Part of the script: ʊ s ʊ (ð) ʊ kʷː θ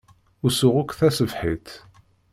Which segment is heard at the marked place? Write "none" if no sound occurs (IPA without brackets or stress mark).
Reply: ʁ